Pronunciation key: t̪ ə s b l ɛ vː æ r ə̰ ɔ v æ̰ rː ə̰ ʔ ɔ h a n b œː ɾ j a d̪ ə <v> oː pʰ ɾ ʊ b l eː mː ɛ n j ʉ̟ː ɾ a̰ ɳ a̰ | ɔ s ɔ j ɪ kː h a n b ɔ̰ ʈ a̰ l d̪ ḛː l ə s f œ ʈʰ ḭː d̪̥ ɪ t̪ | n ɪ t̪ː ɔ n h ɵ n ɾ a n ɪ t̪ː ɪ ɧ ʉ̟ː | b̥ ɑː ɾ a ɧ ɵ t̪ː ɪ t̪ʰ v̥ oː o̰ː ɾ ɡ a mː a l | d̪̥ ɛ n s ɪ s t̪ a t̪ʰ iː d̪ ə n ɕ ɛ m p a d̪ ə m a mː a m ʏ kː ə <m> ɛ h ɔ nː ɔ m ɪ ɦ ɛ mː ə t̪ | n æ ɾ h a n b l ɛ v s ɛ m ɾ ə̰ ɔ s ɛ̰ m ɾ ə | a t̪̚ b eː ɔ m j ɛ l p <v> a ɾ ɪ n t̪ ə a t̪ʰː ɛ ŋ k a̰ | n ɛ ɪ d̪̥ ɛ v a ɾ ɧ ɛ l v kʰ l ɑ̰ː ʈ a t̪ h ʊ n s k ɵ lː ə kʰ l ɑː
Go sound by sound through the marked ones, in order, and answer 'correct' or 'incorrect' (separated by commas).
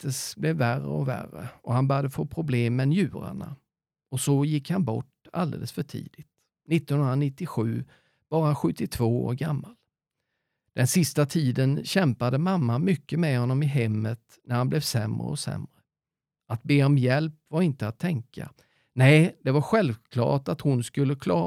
incorrect, correct, correct